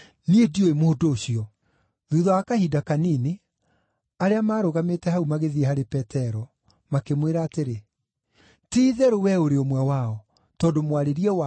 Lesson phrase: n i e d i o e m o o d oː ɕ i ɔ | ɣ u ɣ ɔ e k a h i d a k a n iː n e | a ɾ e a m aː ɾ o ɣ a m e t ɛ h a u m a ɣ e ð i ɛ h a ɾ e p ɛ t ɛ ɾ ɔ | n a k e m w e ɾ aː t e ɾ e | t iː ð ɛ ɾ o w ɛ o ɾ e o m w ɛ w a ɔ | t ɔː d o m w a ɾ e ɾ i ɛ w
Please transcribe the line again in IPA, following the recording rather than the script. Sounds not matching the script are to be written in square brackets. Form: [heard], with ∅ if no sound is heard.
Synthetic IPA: n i e d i o e m o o d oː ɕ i ɔ | [ð] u [ð] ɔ [a] k a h i d a k a n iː n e | a ɾ e a m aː ɾ o ɣ a m e t ɛ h a u m a ɣ e ð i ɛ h a ɾ e p ɛ t ɛ ɾ ɔ | [m] a k e m w e ɾ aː t e ɾ e | t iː ð ɛ ɾ o w ɛ o ɾ e o m w ɛ w a ɔ | t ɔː d o m w a ɾ e ɾ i ɛ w